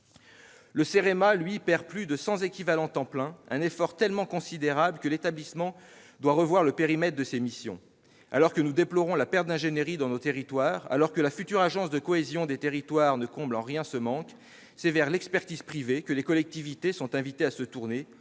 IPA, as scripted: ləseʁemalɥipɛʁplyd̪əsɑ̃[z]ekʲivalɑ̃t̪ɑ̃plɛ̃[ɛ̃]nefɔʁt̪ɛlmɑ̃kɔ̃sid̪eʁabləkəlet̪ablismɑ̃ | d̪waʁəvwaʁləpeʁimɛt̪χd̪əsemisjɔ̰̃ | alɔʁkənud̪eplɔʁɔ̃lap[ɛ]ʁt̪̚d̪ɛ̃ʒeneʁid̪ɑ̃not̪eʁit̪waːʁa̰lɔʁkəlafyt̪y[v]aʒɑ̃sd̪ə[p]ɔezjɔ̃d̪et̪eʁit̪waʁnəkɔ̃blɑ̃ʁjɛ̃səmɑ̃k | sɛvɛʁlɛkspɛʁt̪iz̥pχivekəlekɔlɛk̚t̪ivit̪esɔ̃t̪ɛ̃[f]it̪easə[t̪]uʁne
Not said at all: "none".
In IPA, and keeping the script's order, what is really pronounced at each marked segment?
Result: z, ɛ̃, ɛ, ʁ, k, v, t̪

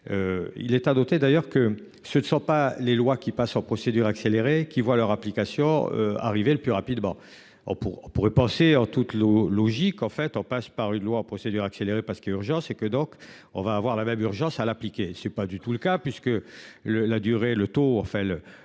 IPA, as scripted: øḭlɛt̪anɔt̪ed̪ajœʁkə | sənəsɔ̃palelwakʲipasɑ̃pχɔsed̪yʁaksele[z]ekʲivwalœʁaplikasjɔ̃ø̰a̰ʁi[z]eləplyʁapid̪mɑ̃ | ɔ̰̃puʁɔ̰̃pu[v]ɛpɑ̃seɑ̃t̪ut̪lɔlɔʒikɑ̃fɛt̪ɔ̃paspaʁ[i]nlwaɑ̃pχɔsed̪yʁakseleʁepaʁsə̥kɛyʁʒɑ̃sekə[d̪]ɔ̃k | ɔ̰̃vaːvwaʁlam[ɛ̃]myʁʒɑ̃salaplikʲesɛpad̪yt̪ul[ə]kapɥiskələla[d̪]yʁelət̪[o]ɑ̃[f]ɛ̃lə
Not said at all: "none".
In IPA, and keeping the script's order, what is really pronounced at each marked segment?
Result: ʁ, v, ʁ, y, d̪, ɛ, ə, d̪, o, f

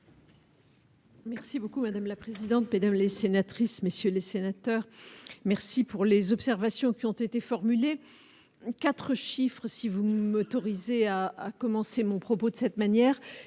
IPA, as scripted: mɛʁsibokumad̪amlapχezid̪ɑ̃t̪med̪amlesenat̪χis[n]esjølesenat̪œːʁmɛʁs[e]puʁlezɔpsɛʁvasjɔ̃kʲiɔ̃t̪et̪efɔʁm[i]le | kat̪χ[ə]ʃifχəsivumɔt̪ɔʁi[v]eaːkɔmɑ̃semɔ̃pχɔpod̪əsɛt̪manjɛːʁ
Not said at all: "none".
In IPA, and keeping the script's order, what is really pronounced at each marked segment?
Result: m, i, y, ə, z

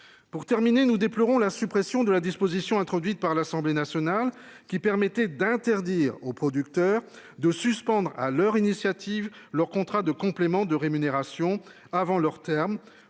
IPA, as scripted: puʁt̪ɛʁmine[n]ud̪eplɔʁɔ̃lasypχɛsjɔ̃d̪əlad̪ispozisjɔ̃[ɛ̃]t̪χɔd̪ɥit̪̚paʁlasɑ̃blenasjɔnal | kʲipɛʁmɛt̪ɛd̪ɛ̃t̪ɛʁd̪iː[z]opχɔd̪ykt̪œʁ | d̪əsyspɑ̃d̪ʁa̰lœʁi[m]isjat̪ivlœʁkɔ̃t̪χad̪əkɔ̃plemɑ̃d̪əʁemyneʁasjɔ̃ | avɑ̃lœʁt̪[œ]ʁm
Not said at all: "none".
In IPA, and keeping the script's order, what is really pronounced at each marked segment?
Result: n, ɛ̃, ʁ, n, ɛ

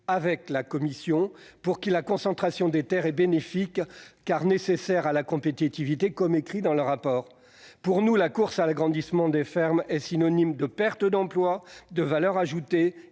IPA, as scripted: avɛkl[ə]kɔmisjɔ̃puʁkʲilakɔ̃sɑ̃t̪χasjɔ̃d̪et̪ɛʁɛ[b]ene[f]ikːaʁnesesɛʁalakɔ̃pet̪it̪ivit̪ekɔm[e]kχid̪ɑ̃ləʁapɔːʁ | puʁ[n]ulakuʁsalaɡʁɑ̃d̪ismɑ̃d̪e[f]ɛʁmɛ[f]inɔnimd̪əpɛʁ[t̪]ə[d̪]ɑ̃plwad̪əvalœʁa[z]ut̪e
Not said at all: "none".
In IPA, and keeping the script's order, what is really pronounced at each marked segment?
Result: a, b, f, e, n, f, s, t̪, d̪, ʒ

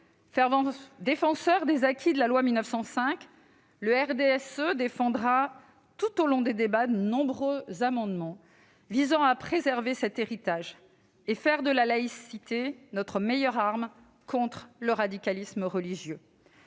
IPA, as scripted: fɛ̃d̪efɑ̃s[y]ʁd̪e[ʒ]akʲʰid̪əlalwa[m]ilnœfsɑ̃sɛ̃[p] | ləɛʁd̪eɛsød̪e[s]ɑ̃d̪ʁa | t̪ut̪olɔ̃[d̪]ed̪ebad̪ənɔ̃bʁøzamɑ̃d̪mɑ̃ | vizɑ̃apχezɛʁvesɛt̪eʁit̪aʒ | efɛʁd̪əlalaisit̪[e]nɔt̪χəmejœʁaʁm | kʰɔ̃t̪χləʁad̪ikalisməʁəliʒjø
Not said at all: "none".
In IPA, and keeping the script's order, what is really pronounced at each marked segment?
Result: œ, z, m, k, f, d̪, e

